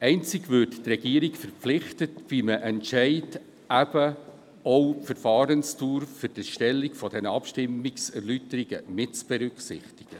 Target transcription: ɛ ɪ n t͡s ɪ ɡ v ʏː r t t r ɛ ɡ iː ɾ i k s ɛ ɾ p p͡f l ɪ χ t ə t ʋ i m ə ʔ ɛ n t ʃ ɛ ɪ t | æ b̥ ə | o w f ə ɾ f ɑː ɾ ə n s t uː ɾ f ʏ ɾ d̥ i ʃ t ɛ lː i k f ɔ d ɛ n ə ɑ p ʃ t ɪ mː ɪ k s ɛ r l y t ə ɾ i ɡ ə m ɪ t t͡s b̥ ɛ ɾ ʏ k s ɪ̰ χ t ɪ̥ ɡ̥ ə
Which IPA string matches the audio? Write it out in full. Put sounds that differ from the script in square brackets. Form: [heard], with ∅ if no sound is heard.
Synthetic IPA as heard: ɛ ɪ n t͡s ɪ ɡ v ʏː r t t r ɛ ɡ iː ɾ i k [f] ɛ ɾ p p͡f l ɪ χ t ə t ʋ i m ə ʔ ɛ n t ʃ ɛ ɪ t | æ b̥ ə | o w f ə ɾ f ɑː ɾ ə n s t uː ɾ f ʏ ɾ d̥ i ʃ t ɛ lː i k f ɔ d ɛ n ə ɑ p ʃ t ɪ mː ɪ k s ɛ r l y t ə ɾ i ɡ ə m ɪ t t͡s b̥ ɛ ɾ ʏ k s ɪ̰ χ t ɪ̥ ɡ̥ ə